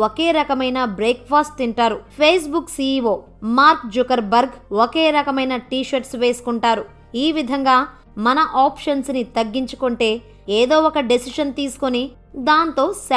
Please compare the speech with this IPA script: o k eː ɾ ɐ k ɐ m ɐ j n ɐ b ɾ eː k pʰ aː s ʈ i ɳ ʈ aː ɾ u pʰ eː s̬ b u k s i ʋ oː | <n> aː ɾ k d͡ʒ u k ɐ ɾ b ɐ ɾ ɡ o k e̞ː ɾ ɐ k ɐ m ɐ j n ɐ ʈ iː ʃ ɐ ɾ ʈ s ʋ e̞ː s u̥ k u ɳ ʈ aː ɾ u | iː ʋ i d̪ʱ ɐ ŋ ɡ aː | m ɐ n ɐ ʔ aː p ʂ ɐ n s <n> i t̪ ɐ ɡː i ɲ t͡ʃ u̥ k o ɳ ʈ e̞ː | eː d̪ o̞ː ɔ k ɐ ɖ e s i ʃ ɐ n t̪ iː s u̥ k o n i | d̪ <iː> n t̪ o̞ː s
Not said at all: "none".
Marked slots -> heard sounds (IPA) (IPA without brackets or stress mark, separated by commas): m, n, aː